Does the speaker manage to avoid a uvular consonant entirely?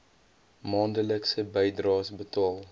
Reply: yes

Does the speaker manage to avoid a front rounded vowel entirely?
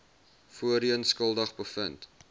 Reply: yes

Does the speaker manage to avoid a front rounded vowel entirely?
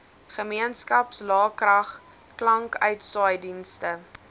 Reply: no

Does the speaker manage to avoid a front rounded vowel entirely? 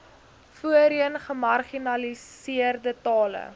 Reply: yes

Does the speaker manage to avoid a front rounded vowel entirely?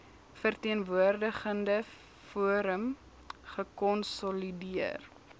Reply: yes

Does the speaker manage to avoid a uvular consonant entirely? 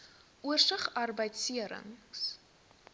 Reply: no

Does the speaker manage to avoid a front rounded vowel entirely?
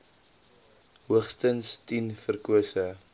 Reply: yes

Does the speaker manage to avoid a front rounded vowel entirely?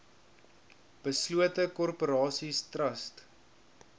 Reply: yes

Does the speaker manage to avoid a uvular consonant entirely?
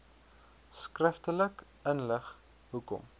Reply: no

